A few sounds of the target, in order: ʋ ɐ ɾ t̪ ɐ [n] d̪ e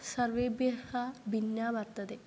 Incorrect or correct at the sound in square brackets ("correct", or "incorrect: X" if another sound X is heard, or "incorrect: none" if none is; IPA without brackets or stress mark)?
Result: incorrect: none